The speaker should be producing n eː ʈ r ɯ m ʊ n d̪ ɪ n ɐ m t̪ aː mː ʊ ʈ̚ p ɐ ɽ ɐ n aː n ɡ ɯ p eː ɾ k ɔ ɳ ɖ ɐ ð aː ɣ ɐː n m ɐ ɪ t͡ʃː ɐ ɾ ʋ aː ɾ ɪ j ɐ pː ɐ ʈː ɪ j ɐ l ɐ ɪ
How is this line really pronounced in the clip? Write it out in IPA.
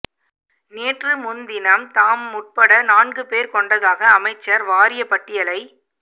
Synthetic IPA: n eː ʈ r ɯ m ʊ n d̪ ɪ n ɐ m t̪ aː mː ʊ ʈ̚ p ɐ ɽ ɐ n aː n ɡ ɯ p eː ɾ k ɔ ɳ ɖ ɐ ð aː ɣ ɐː m ɐ ɪ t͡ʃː ɐ ɾ ʋ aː ɾ ɪ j ɐ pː ɐ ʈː ɪ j ɐ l ɐ ɪ